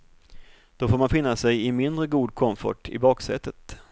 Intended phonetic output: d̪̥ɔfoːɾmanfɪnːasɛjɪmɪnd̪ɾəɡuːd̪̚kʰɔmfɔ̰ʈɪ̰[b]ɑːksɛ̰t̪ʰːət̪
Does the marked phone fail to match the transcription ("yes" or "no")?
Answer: no